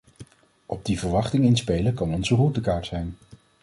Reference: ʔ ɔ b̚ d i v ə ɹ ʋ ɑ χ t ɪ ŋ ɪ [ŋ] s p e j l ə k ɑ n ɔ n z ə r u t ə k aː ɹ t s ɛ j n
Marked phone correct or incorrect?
incorrect